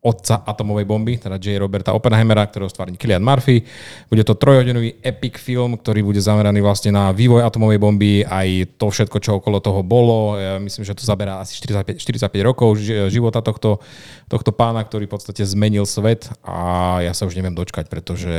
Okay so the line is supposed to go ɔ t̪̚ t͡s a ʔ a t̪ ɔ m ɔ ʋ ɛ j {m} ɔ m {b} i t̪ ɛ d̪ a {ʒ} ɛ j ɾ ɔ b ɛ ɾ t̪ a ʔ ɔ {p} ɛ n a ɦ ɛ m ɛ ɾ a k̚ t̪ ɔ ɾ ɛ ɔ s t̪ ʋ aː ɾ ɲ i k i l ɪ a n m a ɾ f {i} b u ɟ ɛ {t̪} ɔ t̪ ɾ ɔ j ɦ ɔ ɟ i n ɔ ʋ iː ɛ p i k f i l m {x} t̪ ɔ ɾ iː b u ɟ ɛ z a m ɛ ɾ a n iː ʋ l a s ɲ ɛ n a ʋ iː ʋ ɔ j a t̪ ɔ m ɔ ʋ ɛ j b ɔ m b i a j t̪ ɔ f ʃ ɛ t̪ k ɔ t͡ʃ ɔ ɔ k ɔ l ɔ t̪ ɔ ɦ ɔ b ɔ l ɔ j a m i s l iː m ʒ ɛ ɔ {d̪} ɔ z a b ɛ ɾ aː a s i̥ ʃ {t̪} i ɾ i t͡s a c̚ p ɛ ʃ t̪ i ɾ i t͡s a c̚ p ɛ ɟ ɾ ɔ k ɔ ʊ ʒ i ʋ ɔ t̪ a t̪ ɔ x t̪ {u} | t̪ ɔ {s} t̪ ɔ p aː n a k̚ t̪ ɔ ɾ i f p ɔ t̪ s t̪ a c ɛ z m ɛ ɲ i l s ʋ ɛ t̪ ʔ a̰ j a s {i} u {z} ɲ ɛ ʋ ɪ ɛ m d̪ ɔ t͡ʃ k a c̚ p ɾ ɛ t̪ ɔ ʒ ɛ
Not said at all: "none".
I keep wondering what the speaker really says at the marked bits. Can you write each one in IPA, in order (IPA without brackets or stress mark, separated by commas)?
b, b, d͡ʒ, p, i, t̪, k, t̪, t̪, ɔ, x, a, ʒ